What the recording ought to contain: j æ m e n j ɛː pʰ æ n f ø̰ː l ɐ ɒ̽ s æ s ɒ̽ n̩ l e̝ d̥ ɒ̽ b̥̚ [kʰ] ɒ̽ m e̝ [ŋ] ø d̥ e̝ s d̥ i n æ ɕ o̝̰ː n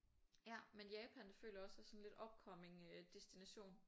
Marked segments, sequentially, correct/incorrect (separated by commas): correct, correct